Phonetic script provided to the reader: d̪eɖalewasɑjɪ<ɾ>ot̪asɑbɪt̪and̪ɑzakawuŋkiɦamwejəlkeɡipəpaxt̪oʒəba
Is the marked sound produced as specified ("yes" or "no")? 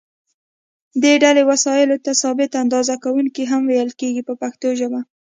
no